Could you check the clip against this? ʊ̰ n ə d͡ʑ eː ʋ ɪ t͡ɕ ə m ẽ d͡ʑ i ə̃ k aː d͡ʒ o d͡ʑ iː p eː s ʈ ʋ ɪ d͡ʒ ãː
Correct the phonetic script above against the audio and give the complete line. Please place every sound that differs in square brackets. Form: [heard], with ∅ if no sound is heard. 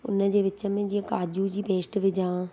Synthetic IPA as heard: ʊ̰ n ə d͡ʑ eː ʋ ɪ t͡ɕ ə m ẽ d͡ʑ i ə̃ k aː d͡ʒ [u] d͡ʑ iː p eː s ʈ ʋ ɪ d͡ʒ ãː